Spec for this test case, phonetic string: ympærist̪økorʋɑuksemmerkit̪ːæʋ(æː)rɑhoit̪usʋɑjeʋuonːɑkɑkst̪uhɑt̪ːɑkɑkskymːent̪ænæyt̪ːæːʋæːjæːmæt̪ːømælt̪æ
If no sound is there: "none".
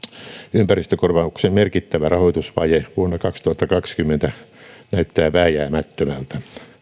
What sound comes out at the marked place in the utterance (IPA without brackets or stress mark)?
æ